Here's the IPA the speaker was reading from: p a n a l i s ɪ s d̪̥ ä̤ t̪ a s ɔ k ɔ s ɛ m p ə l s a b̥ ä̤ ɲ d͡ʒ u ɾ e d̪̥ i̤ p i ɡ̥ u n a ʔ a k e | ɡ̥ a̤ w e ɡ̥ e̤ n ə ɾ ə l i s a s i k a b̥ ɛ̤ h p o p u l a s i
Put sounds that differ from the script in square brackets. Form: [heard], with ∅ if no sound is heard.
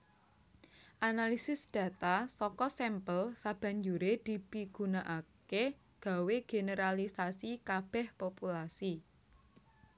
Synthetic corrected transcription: [ʔ] a n a l i s ɪ s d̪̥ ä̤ t̪ a s ɔ k ɔ s ɛ m p ə l s a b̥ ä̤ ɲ d͡ʒ u ɾ e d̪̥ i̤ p i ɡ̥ u n a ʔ a k e | ɡ̥ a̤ w e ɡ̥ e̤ n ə ɾ [a] l i s a s i k a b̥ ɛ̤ h p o p u l a s i